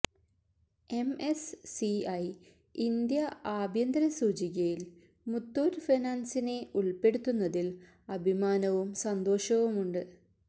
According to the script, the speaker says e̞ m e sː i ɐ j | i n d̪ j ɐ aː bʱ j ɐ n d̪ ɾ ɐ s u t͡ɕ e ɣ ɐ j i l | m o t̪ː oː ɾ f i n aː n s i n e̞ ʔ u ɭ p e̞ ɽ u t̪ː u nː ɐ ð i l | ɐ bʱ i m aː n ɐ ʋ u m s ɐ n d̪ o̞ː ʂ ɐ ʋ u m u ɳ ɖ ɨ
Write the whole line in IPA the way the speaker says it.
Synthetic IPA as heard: e̞ m e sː i ɐ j | i n d̪ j ɐ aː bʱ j ɐ n d̪ ɾ ɐ s uː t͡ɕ i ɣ ɐ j i l | m u t̪ː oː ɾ f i n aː n s i n e̞ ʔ u ɭ p e̞ ɽ u t̪ː u nː ɐ ð i l | ɐ bʱ i m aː n ɐ ʋ u m s ɐ n d̪ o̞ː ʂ ɐ ʋ u m u ɳ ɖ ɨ